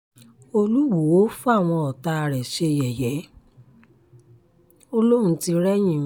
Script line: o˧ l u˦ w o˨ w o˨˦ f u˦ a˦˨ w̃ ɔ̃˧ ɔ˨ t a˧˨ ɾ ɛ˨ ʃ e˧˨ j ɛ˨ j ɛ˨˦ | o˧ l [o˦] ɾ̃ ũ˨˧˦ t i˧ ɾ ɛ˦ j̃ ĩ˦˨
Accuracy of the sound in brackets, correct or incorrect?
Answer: correct